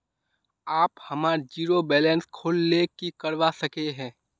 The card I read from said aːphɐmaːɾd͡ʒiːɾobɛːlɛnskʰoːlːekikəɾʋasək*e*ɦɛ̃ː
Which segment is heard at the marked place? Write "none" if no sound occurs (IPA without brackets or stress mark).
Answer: e